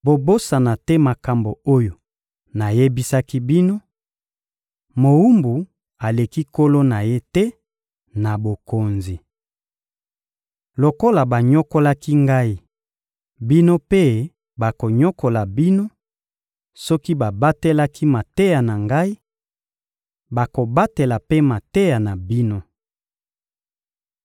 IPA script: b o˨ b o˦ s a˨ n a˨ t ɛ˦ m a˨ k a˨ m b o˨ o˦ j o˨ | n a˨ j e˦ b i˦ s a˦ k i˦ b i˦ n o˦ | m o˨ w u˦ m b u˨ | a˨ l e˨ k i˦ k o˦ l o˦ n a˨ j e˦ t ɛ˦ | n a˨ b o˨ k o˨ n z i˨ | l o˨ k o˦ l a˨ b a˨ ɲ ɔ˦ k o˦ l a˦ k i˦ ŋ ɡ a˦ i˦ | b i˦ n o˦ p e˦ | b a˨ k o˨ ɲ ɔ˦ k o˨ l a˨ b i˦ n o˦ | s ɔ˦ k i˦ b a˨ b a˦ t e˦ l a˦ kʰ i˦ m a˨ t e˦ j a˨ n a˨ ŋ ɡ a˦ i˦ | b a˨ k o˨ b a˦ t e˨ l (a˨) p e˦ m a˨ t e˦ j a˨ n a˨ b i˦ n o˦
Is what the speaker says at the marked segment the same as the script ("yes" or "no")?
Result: yes